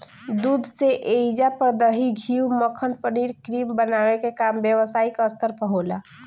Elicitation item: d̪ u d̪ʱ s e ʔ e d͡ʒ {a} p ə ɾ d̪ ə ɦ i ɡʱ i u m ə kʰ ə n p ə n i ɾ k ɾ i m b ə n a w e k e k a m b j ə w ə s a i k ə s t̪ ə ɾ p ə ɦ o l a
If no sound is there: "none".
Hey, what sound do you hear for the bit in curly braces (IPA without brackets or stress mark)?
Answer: a